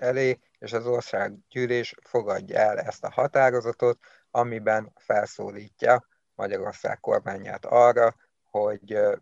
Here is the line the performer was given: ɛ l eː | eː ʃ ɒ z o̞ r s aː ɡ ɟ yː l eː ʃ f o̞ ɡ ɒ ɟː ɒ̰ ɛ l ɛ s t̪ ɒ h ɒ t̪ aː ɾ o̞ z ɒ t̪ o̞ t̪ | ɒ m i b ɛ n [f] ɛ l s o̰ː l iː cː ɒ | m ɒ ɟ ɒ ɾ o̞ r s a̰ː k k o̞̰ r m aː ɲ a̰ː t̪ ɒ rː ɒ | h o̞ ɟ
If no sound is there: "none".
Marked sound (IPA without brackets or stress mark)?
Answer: f